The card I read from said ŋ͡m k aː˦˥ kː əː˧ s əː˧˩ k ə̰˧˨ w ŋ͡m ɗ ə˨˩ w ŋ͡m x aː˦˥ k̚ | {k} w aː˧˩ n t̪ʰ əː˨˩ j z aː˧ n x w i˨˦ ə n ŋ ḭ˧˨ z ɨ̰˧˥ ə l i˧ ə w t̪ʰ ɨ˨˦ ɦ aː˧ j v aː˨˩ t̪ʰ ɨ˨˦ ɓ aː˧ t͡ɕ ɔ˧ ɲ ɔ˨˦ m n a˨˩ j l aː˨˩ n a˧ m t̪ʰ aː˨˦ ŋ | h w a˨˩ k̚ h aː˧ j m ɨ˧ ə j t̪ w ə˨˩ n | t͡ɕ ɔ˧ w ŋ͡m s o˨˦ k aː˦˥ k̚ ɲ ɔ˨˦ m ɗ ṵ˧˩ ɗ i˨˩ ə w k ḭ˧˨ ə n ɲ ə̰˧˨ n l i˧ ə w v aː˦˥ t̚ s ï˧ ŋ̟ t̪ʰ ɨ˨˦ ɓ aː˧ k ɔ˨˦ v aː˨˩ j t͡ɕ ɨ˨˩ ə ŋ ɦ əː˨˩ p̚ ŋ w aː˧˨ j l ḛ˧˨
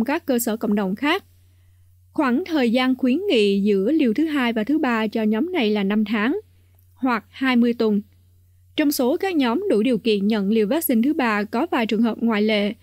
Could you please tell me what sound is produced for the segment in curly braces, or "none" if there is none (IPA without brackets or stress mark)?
x